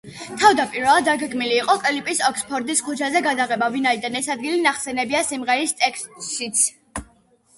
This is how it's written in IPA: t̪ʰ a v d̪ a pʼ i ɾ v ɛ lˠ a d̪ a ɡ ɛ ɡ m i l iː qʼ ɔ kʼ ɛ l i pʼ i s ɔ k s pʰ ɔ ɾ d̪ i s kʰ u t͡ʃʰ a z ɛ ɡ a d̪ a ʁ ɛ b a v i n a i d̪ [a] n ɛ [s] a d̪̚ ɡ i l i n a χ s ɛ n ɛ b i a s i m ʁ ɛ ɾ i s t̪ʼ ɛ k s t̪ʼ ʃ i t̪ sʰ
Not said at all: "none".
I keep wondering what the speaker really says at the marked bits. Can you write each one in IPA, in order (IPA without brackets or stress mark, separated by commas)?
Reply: a, s